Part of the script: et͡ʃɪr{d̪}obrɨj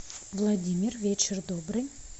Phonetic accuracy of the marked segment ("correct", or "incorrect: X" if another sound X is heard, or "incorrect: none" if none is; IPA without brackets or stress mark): correct